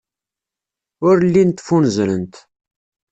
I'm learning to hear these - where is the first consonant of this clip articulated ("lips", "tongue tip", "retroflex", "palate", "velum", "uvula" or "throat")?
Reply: tongue tip